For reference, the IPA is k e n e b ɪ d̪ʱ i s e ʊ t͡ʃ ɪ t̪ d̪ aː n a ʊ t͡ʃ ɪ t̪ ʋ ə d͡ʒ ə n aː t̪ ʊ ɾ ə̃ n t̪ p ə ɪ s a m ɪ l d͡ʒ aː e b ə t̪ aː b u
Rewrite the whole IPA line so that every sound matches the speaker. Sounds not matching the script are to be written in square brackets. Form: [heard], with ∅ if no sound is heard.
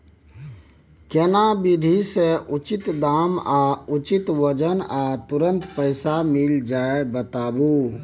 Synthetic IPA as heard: k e n [a] b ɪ d̪ʱ i s e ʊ t͡ʃ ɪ t̪ d̪ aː [m] a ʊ t͡ʃ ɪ t̪ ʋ ə d͡ʒ ə n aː t̪ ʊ ɾ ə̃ n t̪ p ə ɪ s a m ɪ l d͡ʒ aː e b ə t̪ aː b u